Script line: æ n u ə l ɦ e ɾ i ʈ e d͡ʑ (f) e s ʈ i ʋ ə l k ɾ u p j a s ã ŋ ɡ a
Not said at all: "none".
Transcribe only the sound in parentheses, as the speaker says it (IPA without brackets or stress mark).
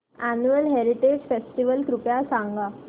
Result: f